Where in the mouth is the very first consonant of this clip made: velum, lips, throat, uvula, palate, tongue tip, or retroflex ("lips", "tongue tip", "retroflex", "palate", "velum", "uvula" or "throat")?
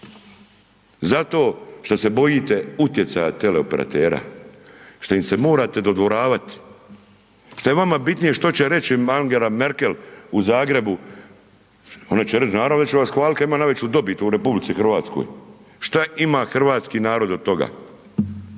tongue tip